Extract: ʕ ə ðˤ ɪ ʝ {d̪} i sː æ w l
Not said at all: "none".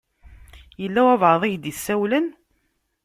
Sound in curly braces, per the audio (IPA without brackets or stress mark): d̪